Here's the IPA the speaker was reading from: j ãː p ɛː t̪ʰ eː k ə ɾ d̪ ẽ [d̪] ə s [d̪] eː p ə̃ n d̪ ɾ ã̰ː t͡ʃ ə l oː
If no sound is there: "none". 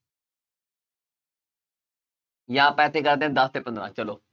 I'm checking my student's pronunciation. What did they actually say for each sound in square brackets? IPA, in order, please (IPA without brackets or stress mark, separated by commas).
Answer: d̪, t̪